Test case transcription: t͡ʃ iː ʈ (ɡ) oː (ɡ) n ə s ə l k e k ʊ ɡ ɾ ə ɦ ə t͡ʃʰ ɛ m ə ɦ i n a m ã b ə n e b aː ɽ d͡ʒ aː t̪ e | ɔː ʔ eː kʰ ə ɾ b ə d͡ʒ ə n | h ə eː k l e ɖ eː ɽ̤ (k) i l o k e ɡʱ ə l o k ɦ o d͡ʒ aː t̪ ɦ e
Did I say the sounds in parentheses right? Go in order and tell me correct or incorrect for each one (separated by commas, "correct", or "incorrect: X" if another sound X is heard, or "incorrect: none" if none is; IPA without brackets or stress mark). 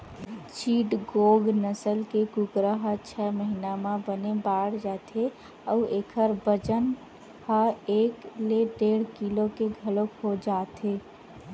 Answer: correct, correct, correct